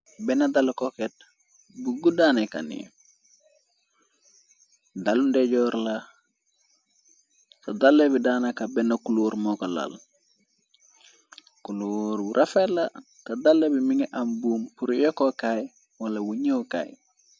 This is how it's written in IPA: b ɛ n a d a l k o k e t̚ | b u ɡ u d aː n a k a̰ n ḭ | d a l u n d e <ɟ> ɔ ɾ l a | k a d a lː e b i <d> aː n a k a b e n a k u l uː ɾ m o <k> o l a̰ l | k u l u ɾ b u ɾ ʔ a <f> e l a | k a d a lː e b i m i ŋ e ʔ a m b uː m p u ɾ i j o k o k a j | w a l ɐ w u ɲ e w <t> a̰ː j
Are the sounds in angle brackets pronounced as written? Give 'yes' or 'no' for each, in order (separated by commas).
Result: yes, yes, yes, yes, no